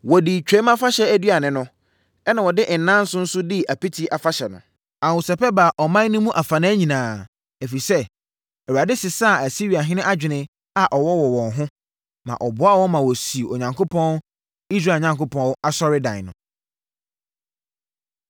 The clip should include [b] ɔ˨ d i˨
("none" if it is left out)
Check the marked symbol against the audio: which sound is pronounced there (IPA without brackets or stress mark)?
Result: w